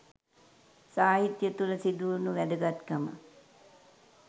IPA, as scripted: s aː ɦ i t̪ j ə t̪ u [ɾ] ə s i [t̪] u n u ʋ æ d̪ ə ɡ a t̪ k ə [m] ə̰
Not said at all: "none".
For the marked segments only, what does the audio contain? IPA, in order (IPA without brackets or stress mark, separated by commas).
l, d̪, m